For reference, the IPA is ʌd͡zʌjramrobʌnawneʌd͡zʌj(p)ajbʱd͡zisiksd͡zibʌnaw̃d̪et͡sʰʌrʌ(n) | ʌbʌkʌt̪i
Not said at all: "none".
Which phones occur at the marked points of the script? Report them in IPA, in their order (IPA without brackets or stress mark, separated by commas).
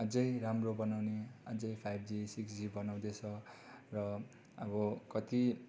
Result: pʰ, none